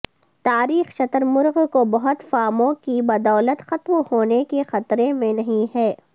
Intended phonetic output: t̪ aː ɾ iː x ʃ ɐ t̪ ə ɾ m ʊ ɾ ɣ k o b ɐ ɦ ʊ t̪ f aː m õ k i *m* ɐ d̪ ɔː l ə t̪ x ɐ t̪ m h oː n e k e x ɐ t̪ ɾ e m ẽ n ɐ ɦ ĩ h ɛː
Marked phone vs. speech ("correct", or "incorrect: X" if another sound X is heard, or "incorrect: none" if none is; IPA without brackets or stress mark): incorrect: b